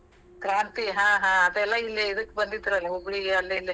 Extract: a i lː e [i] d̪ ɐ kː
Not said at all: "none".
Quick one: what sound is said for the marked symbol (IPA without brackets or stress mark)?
i